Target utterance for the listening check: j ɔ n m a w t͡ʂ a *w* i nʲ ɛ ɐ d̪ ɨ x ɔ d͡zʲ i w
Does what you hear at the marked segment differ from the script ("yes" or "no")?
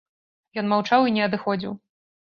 no